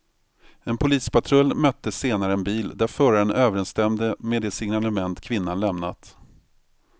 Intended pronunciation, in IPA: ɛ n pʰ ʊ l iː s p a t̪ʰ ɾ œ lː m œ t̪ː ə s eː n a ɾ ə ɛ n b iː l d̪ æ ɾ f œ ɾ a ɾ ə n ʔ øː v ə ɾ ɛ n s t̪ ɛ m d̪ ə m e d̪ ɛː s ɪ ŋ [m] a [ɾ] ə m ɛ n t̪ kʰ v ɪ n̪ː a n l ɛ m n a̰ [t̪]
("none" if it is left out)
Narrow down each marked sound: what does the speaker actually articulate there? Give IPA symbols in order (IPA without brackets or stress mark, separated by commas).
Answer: n, l, t̪